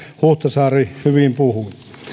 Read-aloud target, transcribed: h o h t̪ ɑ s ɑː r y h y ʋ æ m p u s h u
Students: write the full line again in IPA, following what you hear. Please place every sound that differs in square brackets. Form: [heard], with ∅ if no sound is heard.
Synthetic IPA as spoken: h [u] h t̪ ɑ s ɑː r [i] h y ʋ [i] m p u [∅] h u

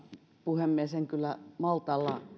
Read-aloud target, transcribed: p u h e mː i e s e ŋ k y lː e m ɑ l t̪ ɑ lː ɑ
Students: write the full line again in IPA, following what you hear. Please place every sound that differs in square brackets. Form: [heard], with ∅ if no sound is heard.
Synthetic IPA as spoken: p u h e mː i e s e ŋ k y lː [æ] m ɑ l t̪ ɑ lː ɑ

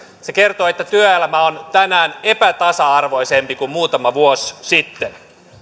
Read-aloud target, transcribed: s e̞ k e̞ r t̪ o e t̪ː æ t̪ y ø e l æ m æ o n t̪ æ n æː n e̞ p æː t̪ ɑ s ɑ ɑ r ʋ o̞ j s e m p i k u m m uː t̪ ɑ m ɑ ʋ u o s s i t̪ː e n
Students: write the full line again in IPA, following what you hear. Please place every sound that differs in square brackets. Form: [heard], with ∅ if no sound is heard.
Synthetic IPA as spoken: s e̞ k e̞ r t̪ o e t̪ː æ t̪ y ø e l æ m æ o n t̪ æ n æː n e̞ p [æ] t̪ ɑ s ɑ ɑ r ʋ o̞ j s e m p i k u m m uː t̪ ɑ m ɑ ʋ u o s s i t̪ː e n

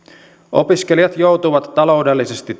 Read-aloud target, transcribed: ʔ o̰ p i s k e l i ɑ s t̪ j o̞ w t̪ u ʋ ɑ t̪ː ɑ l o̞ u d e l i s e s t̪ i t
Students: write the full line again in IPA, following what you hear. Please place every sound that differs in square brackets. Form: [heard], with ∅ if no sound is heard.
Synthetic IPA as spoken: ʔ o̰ p i s k e l i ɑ [∅] t̪ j o̞ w t̪ u ʋ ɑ t̪ː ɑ l o̞ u d e [lː] i s e s t̪ i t

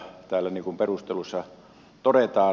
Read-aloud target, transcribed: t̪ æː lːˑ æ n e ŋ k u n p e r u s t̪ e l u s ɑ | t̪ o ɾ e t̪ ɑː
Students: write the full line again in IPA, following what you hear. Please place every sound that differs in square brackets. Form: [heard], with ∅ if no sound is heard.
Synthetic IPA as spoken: t̪ æː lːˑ æ n [i] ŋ k u [m] p e r u s t̪ e l u [sː] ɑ | t̪ o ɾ e t̪ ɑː

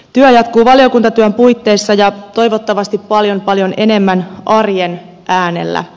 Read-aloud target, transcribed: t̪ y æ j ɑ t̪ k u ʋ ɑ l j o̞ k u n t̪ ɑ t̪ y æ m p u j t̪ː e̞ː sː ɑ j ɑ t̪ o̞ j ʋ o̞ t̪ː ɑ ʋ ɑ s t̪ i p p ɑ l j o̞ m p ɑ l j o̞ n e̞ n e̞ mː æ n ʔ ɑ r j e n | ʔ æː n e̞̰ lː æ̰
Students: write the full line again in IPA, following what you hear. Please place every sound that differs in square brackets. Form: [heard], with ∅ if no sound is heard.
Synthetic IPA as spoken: t̪ y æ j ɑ t̪ k [uː] ʋ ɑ l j o̞ k u n t̪ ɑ t̪ y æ m p u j t̪ː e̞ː sː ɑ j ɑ t̪ o̞ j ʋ o̞ t̪ː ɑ ʋ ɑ s t̪ i p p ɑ l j o̞ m p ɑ l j o̞ n e̞ n e̞ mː æ n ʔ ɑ r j e n | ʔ æː n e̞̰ lː æ̰

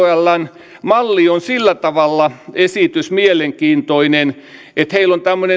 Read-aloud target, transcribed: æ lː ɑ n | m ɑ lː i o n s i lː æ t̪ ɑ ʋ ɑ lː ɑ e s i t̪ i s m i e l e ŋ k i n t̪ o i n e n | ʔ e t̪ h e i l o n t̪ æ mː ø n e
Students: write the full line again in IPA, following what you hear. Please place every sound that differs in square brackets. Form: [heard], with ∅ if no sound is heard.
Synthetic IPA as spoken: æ lː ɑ n | m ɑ lː i o n s i lː æ t̪ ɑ ʋ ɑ lː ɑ e s i t̪ [y] s m i e l e ŋ k [iː] n t̪ o i n e n | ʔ e t̪ h e i l o n t̪ æ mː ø n e

